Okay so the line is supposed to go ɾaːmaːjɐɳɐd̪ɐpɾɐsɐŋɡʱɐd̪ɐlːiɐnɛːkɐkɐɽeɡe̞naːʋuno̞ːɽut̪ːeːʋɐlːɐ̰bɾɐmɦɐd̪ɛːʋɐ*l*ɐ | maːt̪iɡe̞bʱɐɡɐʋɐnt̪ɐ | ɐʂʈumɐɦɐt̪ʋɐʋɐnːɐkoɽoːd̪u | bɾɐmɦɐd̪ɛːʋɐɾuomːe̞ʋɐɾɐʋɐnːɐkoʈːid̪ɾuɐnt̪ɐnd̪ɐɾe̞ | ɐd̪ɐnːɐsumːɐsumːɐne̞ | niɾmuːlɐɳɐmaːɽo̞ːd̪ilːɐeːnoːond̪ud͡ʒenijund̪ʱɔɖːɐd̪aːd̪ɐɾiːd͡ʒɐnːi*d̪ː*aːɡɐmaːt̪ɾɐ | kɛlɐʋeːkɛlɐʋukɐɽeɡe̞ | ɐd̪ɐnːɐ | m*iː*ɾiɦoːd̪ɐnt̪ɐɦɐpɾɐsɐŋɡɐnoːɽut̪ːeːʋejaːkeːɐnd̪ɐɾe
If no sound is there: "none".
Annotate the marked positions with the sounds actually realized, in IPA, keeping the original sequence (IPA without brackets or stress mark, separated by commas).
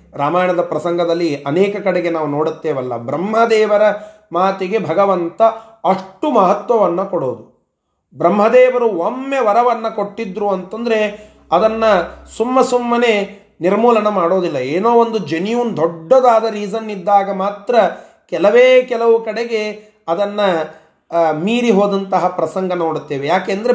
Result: ɾ, d̪ː, iː